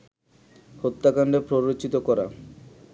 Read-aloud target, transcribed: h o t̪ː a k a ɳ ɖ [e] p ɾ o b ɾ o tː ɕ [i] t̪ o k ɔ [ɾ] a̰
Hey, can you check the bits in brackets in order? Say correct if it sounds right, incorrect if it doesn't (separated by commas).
correct, correct, correct